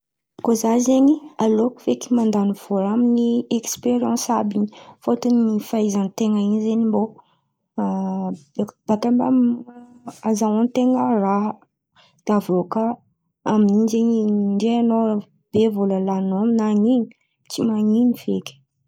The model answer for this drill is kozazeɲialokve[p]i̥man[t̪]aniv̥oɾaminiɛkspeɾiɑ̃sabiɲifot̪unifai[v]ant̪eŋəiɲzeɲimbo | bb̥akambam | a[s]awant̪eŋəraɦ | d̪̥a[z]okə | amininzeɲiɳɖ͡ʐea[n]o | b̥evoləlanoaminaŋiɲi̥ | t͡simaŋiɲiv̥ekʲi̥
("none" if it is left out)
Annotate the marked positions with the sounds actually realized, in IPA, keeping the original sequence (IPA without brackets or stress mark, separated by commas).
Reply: k, d̪, z, z, v, n